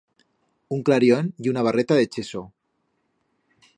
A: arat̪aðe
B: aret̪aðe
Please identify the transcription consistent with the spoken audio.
B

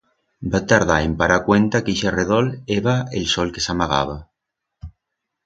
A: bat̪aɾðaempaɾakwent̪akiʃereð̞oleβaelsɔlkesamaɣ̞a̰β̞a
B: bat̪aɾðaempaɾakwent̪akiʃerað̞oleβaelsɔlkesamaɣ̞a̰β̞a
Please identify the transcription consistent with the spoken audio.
A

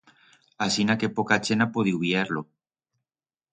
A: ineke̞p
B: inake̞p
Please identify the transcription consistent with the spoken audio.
B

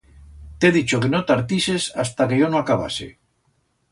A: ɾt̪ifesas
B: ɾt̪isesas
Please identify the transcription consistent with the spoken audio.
B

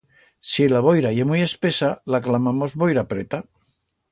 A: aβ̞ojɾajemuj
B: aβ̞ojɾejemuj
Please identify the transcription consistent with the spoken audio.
A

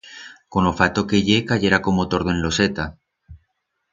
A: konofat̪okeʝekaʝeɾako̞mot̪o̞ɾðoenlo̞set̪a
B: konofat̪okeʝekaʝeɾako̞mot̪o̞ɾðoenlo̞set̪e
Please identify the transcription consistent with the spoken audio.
A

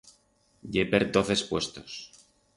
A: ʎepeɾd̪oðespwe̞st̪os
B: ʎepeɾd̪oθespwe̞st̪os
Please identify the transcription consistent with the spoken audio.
B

